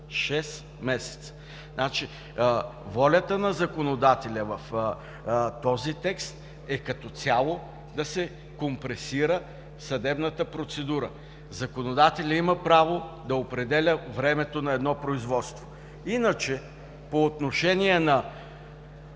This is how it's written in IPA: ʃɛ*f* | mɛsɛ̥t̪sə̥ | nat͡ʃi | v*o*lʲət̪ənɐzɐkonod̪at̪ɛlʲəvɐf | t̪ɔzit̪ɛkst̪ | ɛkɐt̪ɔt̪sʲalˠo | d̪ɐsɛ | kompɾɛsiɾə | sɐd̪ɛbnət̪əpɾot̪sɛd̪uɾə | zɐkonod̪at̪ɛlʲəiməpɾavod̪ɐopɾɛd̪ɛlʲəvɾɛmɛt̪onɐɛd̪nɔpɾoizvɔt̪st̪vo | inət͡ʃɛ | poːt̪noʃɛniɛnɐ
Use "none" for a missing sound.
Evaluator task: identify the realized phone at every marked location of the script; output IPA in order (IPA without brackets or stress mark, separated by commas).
s, ɔ